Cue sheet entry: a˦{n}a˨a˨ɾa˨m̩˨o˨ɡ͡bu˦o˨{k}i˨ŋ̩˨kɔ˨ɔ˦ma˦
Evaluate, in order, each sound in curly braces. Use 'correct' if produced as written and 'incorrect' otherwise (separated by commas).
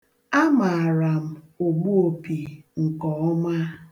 incorrect, incorrect